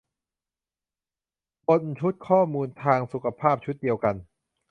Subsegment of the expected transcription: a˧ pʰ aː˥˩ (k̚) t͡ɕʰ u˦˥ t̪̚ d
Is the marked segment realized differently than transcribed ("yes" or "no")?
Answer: yes